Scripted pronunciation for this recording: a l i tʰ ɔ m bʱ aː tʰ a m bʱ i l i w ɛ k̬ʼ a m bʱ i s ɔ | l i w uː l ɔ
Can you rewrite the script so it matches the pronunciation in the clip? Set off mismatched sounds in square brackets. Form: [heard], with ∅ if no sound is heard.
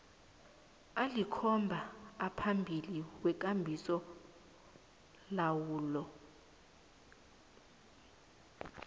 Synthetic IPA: a l i [kʰ] ɔ m bʱ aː [pʰ] a m bʱ i l i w ɛ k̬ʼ a m bʱ i s ɔ | l [a] w uː l ɔ